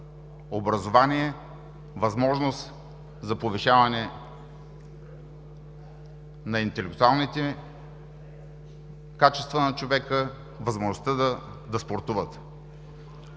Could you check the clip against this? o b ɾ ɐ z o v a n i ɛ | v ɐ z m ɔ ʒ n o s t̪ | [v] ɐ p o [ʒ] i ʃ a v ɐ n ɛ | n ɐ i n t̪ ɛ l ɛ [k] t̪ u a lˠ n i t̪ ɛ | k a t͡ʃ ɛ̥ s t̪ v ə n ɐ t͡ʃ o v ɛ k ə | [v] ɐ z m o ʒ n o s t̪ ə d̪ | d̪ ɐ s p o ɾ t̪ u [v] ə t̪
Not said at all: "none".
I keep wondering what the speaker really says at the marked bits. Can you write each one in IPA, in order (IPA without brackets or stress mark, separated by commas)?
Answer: z, v, k, v, v